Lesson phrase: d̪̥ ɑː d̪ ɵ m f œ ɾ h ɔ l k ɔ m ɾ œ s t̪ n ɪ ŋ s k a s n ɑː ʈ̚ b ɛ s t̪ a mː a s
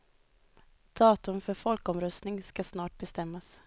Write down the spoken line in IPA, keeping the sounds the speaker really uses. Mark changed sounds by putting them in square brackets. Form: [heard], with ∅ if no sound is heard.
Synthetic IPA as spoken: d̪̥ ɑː [t̪] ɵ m f œ ɾ [f] ɔ l k ɔ m ɾ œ s t̪ n ɪ ŋ s k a s n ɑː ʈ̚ b ɛ s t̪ [ɛ] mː a s